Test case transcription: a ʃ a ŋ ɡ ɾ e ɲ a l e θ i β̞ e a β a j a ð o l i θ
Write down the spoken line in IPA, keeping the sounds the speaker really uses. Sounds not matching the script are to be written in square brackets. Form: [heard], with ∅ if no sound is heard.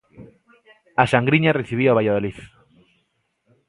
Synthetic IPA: a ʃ a ŋ ɡ ɾ [i] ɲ a [r] e θ i β̞ [i] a β a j a ð o l i θ